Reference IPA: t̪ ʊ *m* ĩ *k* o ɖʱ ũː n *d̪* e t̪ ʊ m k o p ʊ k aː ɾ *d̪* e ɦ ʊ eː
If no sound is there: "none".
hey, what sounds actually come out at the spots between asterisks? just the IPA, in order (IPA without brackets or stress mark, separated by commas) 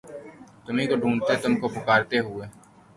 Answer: m, k, t̪, t̪